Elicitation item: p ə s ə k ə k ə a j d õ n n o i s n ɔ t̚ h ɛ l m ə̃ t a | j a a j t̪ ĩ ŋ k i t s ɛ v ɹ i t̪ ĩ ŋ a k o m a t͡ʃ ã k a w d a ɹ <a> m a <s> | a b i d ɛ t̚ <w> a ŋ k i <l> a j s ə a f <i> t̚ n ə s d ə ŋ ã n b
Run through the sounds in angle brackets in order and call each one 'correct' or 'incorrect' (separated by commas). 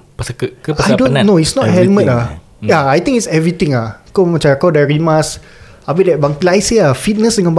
incorrect, correct, incorrect, correct, correct